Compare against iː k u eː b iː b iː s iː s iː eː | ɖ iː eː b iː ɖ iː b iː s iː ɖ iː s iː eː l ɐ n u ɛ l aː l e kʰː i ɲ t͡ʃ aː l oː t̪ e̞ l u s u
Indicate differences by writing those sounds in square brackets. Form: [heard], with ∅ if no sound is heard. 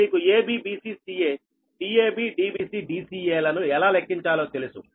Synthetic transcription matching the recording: iː k u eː b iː b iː s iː s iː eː | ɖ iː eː b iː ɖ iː b iː s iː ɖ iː s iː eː l ɐ n u ɛ l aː l e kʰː i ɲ t͡ʃ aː l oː t̪ e̞ l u s u